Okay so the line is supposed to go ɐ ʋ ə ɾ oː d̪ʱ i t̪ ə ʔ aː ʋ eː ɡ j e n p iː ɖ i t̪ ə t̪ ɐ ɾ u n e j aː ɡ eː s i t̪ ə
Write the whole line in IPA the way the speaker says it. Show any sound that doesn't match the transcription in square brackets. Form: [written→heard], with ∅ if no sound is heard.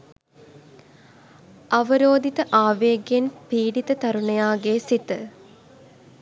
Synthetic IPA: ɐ ʋ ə ɾ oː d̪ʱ i t̪ ə ʔ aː ʋ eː ɡ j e n p iː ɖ i t̪ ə t̪ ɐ ɾ u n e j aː ɡ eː s i t̪ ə